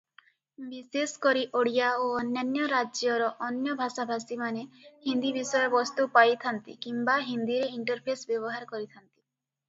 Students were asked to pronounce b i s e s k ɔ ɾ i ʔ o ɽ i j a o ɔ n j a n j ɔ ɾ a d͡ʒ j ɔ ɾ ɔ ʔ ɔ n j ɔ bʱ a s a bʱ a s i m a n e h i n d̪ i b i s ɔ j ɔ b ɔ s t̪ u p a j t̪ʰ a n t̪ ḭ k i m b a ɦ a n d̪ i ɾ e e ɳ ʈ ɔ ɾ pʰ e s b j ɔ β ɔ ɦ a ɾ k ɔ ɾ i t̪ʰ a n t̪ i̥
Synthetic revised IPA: b i s e s k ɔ ɾ i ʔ o ɽ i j a o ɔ n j a n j ɔ ɾ a d͡ʒ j ɔ ɾ ɔ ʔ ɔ n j ɔ bʱ a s a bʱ a s i m a n e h i n d̪ i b i s ɔ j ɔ b ɔ s t̪ u p a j t̪ʰ a n t̪ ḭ k i m b a ɦ i n d̪ i ɾ e i ɳ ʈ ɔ ɾ pʰ e s b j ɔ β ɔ ɦ a ɾ k ɔ ɾ i t̪ʰ a n t̪ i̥